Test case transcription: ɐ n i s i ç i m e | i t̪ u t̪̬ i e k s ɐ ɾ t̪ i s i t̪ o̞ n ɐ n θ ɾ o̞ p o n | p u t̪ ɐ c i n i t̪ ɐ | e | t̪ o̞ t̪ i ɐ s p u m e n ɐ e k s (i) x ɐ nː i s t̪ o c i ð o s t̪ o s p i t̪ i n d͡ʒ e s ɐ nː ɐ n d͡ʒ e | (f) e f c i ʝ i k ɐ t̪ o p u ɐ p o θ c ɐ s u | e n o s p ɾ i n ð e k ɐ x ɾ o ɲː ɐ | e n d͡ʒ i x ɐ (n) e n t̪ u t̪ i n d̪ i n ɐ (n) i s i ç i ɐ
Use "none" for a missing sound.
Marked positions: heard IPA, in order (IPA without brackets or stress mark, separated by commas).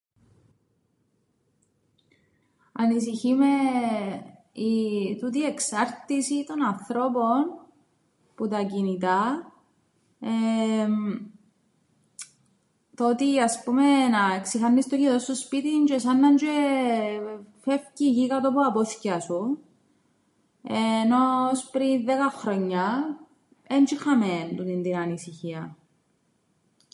i, f, m, n